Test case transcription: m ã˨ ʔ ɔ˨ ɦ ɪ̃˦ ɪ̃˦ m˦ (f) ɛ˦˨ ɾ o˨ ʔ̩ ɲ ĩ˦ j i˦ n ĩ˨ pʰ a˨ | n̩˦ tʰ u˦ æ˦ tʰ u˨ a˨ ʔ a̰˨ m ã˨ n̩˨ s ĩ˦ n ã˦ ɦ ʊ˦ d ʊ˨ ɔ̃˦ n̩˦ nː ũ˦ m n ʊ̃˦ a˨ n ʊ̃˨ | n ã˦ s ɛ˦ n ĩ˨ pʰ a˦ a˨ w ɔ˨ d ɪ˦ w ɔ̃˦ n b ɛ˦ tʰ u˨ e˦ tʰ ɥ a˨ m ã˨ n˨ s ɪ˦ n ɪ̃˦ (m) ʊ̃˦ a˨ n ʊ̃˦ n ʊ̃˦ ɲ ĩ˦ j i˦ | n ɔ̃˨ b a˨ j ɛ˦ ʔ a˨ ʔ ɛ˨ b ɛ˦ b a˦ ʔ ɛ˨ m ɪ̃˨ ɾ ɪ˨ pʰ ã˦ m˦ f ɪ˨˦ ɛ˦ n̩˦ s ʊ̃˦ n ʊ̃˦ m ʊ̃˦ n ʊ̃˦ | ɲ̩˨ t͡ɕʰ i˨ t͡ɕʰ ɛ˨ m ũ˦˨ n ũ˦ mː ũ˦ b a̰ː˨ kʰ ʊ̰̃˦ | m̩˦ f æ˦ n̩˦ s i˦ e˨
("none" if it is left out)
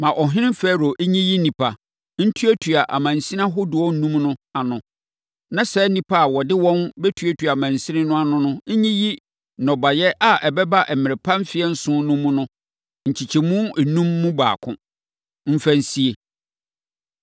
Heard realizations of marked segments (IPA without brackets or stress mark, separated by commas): f, n